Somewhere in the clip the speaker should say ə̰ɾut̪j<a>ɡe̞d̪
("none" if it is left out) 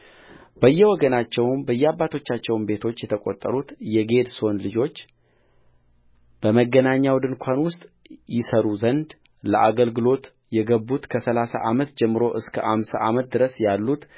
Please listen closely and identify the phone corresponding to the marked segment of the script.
ɛ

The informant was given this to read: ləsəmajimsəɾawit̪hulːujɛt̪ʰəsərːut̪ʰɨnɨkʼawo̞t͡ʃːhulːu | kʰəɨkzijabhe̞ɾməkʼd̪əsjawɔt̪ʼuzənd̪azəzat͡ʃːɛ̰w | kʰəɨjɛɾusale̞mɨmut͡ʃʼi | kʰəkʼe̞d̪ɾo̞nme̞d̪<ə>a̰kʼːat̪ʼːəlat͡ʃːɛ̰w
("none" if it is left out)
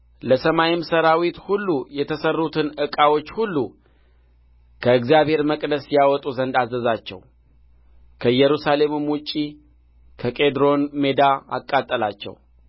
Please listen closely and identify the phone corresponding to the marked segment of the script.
a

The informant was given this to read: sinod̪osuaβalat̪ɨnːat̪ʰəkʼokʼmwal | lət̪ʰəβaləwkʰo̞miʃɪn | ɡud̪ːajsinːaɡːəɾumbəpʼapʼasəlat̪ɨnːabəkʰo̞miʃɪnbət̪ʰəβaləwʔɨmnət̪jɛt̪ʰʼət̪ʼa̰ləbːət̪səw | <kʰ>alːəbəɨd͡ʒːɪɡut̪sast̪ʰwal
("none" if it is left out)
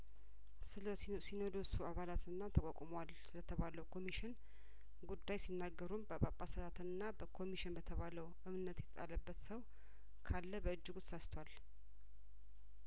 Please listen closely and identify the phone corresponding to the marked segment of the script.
kʰ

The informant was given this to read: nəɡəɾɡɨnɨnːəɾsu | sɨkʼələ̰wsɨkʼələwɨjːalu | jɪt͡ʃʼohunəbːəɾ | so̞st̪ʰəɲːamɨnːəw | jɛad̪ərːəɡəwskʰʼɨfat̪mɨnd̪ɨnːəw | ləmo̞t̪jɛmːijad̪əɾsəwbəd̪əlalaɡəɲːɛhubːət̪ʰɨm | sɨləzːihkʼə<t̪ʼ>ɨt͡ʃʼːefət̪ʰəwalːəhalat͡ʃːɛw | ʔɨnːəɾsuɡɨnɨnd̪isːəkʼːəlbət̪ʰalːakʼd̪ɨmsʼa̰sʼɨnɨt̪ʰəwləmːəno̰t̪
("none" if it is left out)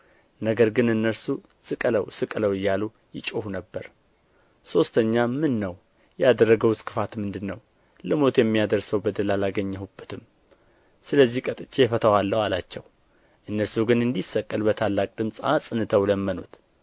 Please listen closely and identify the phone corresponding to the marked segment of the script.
t̪ʼ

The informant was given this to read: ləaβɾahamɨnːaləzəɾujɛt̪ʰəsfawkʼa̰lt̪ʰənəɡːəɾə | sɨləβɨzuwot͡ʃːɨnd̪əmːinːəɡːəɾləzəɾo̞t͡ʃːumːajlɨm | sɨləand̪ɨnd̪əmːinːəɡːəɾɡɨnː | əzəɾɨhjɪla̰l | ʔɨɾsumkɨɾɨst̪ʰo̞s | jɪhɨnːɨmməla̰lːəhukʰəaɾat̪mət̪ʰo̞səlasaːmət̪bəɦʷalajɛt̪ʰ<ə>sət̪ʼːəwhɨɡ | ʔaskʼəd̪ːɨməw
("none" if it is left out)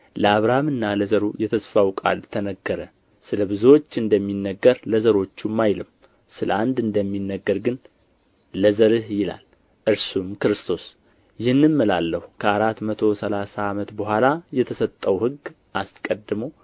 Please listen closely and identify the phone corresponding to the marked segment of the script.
ə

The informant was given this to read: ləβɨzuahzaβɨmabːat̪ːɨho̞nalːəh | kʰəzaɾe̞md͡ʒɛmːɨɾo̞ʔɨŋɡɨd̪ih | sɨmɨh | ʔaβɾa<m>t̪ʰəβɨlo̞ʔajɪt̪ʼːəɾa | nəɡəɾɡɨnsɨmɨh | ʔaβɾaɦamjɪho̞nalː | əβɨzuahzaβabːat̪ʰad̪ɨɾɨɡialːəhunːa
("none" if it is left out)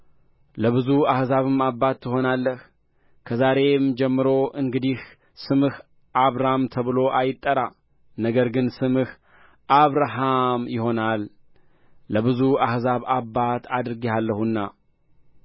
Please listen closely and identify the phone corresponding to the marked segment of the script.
m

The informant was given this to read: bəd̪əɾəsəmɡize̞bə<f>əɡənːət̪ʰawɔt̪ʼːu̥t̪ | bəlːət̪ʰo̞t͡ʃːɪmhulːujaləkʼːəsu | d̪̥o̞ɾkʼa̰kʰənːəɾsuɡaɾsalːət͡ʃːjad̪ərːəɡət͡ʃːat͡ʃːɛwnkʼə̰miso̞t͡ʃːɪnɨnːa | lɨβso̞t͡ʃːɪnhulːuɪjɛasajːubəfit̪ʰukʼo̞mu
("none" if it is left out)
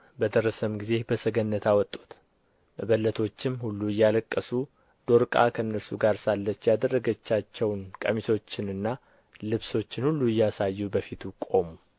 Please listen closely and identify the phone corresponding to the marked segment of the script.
s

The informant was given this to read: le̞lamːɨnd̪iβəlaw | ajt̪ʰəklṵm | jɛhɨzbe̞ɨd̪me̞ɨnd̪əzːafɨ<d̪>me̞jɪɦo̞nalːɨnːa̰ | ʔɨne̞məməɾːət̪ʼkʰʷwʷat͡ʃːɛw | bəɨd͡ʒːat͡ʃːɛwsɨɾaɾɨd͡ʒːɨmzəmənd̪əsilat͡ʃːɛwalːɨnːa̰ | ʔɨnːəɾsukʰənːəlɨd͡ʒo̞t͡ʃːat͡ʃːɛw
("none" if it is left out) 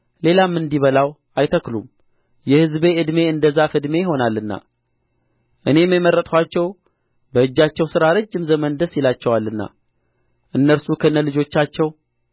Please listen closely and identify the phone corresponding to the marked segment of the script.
d̪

